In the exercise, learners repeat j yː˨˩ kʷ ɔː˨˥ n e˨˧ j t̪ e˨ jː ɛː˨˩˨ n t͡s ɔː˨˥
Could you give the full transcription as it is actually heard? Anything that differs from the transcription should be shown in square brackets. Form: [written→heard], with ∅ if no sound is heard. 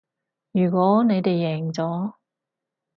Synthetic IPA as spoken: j yː˨˩ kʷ ɔː˨˥ n e˨˧ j t̪ e˨ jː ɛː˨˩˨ [n→ŋ] t͡s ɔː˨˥